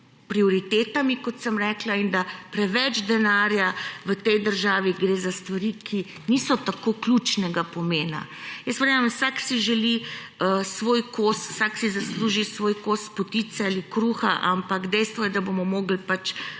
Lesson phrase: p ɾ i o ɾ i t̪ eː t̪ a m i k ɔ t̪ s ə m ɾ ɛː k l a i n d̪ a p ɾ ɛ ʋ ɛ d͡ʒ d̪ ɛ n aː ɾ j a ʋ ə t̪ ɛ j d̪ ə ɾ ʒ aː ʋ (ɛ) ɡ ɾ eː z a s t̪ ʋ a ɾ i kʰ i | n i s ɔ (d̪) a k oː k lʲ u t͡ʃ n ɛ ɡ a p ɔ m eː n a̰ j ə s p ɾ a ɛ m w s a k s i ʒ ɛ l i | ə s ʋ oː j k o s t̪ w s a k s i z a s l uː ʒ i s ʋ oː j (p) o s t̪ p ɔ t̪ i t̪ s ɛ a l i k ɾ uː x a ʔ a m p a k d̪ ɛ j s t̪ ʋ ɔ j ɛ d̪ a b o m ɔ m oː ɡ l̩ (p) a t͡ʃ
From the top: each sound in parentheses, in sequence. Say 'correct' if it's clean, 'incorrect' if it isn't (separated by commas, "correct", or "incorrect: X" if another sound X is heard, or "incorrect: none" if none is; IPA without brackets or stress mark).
incorrect: i, incorrect: t̪, incorrect: k, correct